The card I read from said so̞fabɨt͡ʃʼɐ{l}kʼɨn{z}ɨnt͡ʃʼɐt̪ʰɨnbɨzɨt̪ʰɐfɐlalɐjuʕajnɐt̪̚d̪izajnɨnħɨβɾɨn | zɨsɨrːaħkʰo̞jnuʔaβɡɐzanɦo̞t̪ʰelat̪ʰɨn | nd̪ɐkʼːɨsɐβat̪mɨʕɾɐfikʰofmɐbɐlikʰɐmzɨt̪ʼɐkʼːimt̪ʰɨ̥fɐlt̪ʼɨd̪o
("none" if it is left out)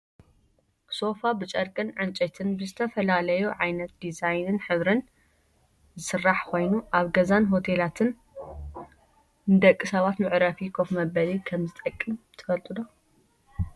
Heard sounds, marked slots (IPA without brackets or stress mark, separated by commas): ɾ, ʕ